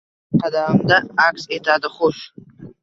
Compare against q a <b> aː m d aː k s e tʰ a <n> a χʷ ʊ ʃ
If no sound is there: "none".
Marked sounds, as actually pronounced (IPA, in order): d, d

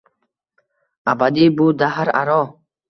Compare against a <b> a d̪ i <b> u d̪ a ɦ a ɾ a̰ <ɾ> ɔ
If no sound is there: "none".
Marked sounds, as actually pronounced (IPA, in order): b, b, ɾ

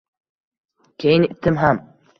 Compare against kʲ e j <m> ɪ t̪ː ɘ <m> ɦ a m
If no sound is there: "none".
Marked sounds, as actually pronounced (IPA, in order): n, m

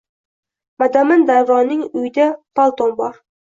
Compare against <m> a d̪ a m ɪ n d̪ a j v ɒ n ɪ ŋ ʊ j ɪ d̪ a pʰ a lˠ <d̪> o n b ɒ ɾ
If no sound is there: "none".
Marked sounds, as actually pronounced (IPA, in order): m, t̪

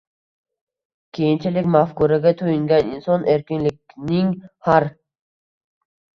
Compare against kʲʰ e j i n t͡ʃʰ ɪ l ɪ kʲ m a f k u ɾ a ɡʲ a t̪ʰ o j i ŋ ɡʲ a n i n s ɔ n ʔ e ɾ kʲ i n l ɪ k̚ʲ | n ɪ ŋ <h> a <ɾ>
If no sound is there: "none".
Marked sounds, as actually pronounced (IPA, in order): h, ɾ

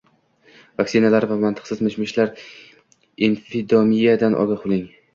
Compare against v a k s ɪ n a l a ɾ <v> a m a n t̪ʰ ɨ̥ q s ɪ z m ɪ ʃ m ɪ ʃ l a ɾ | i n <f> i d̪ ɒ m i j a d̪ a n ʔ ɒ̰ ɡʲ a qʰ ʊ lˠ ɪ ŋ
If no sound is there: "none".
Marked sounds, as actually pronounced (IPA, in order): v, f

